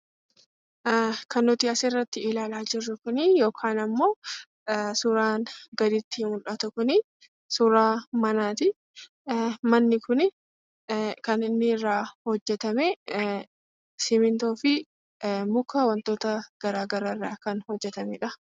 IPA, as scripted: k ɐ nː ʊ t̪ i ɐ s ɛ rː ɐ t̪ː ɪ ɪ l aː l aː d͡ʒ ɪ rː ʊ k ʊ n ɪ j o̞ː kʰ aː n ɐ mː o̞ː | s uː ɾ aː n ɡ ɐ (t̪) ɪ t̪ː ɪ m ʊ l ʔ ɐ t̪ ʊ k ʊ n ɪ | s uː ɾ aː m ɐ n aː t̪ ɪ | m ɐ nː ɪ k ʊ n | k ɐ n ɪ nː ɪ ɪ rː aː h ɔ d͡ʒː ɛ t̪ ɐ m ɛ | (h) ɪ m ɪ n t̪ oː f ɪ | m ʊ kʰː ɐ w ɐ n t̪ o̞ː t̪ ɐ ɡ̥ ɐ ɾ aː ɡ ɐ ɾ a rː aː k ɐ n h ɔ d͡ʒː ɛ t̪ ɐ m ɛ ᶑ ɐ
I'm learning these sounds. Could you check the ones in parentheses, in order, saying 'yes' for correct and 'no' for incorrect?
no, no

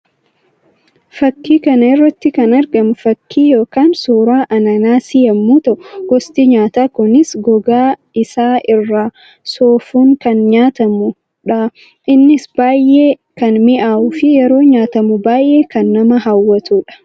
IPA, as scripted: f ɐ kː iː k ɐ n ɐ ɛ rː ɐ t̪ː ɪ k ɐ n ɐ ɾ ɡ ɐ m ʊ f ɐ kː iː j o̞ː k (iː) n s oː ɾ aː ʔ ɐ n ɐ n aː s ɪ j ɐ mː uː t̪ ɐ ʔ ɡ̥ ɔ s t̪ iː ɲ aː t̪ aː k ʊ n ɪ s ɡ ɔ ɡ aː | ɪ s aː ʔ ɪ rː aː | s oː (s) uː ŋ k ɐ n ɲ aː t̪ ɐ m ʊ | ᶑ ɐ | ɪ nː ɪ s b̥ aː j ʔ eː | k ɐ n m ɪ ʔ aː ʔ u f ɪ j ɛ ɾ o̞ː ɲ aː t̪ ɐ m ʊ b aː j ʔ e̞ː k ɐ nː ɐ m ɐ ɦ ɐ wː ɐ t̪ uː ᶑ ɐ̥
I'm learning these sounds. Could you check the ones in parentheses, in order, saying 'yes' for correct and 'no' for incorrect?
no, no

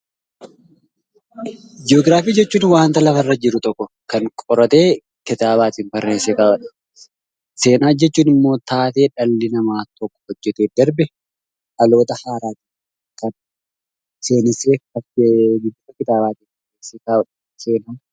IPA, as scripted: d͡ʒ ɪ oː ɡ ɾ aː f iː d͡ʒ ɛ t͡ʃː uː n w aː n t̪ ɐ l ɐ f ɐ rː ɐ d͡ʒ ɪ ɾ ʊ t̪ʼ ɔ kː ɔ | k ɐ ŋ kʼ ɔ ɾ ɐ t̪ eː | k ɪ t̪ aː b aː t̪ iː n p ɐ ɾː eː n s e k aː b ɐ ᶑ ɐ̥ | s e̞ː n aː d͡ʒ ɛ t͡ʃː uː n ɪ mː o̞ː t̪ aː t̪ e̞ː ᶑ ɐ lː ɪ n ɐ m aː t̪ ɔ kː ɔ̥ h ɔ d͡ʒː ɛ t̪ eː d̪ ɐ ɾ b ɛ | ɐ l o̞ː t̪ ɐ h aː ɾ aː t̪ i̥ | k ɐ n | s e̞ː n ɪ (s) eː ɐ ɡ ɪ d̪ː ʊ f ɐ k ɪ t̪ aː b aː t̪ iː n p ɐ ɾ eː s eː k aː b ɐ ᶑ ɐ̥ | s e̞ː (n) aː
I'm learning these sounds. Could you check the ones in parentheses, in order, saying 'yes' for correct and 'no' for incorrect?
yes, yes

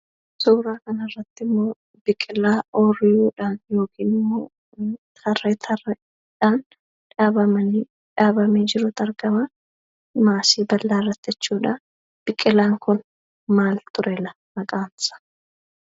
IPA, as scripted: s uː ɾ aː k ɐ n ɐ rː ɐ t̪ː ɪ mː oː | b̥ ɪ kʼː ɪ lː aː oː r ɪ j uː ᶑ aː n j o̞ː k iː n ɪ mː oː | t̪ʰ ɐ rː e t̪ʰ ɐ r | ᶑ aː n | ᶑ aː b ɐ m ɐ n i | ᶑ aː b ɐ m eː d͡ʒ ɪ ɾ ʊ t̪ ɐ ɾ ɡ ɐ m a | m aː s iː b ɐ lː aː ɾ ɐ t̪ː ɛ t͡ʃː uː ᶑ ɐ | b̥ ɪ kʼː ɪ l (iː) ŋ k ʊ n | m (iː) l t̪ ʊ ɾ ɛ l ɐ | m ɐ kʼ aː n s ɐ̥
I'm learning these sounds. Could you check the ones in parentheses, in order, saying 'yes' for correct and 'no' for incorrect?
no, no

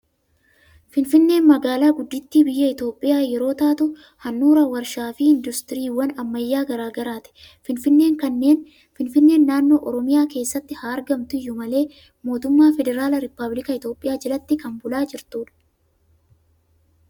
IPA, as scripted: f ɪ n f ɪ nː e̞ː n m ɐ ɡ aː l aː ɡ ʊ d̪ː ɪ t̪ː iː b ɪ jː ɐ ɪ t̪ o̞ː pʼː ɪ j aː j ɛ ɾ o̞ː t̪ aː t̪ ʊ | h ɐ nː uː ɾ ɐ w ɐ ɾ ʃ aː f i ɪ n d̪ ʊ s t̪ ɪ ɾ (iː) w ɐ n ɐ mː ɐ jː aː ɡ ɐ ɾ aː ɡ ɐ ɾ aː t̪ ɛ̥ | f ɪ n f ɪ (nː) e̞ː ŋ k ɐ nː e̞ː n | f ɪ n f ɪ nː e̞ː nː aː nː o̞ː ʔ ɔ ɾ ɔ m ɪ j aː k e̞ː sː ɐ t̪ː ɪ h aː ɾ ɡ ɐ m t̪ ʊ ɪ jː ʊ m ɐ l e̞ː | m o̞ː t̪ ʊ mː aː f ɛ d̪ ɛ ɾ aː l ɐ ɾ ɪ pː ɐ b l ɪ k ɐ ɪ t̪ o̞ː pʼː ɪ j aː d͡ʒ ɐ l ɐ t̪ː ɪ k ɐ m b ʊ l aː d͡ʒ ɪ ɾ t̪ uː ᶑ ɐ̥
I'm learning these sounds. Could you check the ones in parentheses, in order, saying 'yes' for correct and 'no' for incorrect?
yes, yes

